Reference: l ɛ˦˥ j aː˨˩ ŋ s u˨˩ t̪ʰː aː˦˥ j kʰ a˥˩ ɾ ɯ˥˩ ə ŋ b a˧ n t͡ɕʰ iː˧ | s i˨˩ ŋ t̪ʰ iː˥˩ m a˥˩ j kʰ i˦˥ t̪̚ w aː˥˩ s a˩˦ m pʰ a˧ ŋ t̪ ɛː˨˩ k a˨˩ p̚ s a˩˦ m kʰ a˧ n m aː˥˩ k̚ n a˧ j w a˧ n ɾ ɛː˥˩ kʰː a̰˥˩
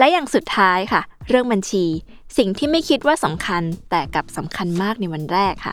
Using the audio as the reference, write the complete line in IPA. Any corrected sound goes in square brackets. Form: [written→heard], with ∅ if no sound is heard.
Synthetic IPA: l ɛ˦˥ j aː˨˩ ŋ s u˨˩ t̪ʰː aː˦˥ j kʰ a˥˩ ɾ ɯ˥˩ ə ŋ b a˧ n t͡ɕʰ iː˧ | s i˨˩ ŋ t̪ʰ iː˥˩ m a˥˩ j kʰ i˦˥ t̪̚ w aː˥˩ s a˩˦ m [pʰ→kʰ] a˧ [ŋ→n] t̪ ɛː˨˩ k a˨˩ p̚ s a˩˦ m kʰ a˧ n m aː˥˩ k̚ n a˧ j w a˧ n ɾ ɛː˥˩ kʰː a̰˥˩